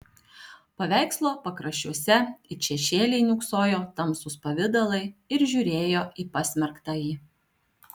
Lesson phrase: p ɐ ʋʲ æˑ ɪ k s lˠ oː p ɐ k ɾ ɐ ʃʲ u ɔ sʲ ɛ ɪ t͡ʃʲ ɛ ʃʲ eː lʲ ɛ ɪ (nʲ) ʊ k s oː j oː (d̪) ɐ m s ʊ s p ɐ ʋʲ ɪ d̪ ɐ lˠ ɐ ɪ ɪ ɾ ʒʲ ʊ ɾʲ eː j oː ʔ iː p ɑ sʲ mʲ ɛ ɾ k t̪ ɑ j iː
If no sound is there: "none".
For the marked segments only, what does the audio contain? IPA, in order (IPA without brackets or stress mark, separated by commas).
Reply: nʲ, t̪